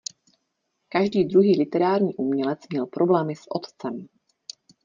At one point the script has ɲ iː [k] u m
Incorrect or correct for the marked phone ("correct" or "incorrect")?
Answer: incorrect